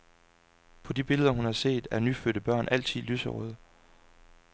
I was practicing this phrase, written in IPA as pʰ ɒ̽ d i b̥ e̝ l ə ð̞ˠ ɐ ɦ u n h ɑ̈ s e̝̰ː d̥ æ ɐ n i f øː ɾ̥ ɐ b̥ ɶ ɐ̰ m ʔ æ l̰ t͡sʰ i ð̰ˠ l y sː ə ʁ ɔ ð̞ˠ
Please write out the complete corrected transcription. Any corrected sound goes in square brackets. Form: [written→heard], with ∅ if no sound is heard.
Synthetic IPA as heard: pʰ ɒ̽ d i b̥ e̝ l ə ð̞ˠ ɐ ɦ u n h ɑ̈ s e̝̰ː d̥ æ ɐ n [i→y] f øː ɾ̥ [ɐ→ə] b̥ ɶ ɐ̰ [m→n] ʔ æ l̰ t͡sʰ i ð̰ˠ l y [sː→s] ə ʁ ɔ ð̞ˠ